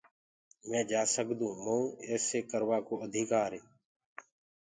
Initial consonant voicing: voiced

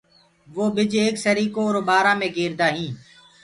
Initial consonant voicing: voiced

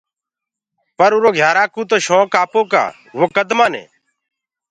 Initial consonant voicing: voiceless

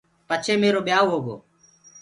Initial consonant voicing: voiceless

